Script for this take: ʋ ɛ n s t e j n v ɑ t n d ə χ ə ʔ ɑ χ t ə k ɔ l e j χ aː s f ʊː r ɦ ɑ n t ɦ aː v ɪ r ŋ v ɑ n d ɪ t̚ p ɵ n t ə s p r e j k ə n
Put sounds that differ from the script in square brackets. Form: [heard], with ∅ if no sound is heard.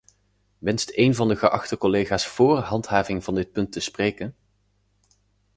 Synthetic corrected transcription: ʋ ɛ n s t e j n v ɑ [∅] n d ə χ ə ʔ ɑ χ t ə k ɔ l e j χ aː s f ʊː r ɦ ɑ n t ɦ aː v ɪ [∅] ŋ v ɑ n d ɪ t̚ p ɵ n t ə s p r e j k ə n